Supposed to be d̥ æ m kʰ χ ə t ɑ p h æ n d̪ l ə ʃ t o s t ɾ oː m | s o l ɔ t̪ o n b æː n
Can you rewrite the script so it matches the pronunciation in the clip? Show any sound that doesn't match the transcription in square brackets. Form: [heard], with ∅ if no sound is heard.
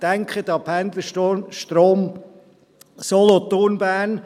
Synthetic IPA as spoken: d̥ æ [ŋ] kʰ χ ə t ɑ p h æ n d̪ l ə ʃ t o [ʃ] t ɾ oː m | s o l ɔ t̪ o n b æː n